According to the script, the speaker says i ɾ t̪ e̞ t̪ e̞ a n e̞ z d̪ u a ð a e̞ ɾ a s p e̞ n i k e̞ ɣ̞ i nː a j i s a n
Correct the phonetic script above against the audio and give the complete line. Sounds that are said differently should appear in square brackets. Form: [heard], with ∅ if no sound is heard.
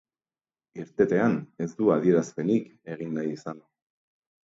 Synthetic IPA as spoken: i ɾ t̪ e̞ t̪ e̞ a n e̞ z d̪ u a ð [i] e̞ ɾ a s p e̞ n i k e̞ ɣ̞ i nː a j i s a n